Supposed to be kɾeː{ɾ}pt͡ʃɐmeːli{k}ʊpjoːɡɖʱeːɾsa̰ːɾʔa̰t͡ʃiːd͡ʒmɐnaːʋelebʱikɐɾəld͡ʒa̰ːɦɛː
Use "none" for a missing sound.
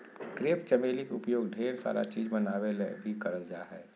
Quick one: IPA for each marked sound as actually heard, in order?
none, k

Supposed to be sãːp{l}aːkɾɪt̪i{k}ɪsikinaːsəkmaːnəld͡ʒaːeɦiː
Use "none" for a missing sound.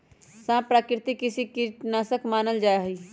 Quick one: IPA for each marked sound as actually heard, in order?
ɾ, k

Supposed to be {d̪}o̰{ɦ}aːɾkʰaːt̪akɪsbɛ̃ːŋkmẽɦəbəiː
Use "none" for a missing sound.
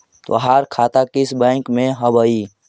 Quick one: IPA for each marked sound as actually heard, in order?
t̪, ɦ

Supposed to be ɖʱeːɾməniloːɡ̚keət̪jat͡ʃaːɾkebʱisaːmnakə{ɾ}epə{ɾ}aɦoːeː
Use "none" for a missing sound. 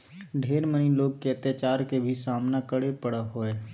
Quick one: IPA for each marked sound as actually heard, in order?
ɽ, ɽ

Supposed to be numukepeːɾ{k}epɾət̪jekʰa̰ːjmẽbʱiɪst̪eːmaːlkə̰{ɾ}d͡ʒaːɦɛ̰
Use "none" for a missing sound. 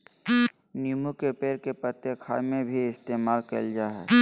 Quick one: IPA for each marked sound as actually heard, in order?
k, l

